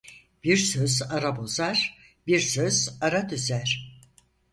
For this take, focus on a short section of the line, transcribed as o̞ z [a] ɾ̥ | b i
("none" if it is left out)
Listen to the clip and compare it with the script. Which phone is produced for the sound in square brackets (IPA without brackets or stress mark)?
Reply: a